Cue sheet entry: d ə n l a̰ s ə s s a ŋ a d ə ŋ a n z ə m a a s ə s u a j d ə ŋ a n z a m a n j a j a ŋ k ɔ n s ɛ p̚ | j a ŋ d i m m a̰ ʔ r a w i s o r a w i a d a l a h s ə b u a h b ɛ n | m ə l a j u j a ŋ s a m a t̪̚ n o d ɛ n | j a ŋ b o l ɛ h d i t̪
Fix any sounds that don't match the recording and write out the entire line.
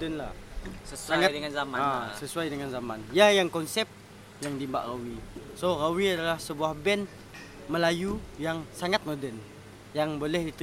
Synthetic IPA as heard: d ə n l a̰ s ə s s a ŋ a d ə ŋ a n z a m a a s ə s u a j d ə ŋ a n z a m a n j a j a ŋ k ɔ n s ɛ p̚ | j a ŋ d i m b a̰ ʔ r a w i s o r a w i a d a l a h s ə b u a h b ɛ n | m ə l a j u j a ŋ s a ŋ a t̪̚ m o d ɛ n | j a ŋ b o l ɛ h d i t̪